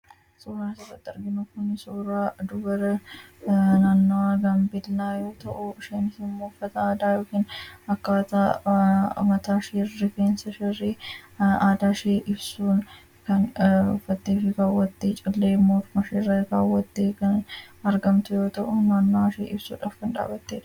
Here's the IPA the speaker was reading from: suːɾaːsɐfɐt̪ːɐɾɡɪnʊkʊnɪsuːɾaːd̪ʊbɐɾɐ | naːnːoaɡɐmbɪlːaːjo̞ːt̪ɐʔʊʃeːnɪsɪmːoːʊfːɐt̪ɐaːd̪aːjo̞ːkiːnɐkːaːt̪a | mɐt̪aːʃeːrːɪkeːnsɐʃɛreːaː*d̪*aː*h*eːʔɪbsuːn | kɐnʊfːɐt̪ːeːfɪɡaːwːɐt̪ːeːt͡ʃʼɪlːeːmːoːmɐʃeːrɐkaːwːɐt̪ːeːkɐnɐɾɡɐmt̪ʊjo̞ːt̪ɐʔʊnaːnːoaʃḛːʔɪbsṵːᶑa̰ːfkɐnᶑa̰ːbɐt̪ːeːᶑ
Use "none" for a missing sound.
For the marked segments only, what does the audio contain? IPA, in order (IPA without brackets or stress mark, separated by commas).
d̪, ʃ